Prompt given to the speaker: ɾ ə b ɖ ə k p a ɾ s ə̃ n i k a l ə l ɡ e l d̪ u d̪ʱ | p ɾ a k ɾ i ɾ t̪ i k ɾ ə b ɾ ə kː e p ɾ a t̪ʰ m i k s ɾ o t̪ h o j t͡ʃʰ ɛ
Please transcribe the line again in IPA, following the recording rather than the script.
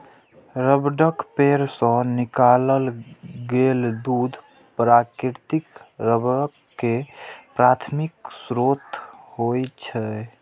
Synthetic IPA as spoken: ɾ ə b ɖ ə k p e ɾ s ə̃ n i k a l ə l ɡ e l d̪ u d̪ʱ | p ɾ a k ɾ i ɾ t̪ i k ɾ ə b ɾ ə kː e p ɾ a t̪ʰ m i k s ɾ o t̪ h o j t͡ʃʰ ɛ